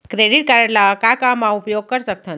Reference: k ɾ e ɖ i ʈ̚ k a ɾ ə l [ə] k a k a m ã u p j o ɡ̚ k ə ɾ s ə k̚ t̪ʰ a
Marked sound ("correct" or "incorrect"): incorrect